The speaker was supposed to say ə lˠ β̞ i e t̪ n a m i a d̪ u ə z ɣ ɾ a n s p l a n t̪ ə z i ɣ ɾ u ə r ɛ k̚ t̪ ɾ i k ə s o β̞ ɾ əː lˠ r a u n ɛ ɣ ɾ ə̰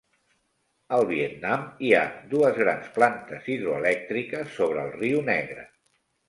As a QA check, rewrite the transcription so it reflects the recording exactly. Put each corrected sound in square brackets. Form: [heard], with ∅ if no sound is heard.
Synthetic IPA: ə lˠ β̞ i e t̪ n a m i a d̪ u ə z ɣ ɾ a n s p l a n t̪ ə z i [ð] ɾ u ə [l] ɛ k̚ t̪ ɾ i k ə [sː] o β̞ ɾ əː lˠ r [i] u n ɛ ɣ ɾ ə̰